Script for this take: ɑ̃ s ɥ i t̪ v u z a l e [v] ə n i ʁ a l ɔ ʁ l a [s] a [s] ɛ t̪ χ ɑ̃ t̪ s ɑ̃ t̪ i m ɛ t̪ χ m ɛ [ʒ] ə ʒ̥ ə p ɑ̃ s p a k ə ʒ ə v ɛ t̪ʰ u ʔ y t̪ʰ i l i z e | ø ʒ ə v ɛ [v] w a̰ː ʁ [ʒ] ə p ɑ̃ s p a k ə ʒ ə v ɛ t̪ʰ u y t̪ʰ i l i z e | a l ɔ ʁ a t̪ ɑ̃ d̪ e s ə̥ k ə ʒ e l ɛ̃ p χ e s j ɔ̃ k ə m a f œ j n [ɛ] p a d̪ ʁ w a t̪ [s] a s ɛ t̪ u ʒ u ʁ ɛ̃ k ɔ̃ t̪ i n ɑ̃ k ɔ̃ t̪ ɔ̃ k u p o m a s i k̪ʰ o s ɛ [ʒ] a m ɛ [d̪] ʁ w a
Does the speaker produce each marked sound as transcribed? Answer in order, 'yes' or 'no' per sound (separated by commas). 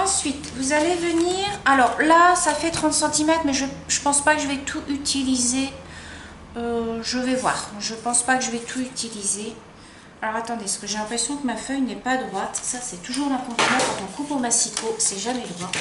yes, yes, no, yes, yes, yes, yes, yes, yes, yes